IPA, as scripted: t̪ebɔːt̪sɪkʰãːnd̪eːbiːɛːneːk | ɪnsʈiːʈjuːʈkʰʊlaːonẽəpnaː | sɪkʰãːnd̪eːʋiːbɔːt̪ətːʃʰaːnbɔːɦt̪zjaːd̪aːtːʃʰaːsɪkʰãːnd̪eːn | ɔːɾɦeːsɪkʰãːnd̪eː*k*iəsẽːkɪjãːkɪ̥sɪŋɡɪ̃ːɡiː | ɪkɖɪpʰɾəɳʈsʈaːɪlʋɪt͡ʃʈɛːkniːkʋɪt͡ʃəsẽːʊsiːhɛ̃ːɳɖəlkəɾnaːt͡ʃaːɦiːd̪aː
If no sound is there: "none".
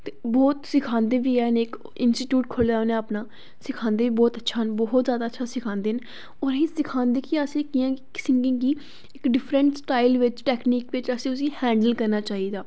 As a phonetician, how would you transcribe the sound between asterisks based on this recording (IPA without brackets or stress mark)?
k